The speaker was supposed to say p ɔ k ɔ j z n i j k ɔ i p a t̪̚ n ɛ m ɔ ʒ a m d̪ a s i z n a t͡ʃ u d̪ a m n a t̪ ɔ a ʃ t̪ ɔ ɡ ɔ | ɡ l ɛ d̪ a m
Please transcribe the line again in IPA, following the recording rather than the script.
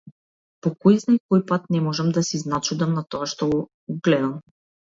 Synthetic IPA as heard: p ɔ k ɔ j z n a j k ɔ j p a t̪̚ n ɛ m ɔ ʒ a m d̪ a s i z n a t͡ʃ u d̪ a m n a t̪ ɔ a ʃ t̪ ɔ ɡ ɔ | ɡ l ɛ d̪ a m